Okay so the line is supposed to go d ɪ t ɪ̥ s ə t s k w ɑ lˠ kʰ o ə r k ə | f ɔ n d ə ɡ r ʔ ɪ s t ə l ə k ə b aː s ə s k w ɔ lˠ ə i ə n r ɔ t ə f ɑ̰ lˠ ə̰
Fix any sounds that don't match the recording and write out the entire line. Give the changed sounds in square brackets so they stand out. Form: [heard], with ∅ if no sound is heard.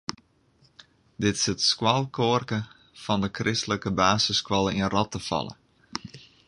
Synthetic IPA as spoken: d ɪ t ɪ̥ s ə t s k w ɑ lˠ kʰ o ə r k ə | f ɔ n d ə [k] r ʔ ɪ s t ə l ə k ə b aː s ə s k w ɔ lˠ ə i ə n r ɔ t ə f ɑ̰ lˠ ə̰